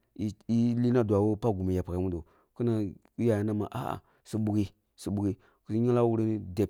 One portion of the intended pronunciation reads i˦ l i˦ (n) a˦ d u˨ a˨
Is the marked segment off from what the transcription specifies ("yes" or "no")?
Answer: no